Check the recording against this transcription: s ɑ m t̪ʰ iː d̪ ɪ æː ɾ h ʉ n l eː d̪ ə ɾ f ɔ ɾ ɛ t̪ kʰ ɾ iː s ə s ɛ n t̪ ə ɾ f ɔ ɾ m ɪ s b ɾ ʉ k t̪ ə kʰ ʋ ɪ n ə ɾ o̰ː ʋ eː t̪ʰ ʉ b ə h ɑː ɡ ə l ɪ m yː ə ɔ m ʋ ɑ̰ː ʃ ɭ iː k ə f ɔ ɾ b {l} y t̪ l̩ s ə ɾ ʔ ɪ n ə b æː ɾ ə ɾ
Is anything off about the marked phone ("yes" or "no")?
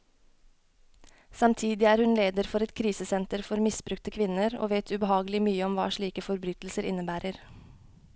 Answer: yes